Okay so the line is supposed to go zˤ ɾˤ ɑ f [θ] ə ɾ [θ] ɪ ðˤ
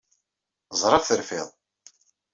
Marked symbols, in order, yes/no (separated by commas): yes, no